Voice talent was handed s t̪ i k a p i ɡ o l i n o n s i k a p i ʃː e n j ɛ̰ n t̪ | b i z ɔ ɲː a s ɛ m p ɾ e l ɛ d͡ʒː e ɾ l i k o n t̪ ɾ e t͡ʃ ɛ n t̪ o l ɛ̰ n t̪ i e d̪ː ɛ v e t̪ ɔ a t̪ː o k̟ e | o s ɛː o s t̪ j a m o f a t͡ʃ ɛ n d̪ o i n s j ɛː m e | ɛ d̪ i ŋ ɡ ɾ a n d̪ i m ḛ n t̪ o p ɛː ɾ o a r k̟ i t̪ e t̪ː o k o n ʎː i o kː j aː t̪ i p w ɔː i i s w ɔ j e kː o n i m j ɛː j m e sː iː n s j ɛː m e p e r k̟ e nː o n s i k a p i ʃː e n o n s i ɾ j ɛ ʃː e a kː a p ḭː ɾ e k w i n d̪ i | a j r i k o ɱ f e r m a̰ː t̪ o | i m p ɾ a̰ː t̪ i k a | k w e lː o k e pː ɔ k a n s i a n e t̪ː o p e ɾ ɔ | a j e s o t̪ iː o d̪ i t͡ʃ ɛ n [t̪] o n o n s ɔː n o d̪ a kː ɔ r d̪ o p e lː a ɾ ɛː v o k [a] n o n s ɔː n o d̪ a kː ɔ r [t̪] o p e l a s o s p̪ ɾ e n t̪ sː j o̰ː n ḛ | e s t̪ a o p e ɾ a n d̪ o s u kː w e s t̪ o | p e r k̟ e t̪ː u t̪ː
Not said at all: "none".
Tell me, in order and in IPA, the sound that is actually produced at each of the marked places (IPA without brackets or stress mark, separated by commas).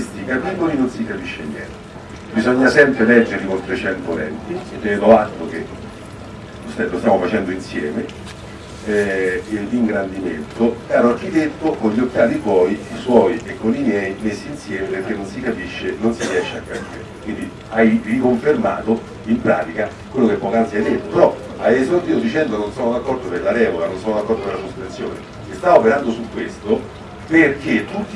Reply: d̪, a, d̪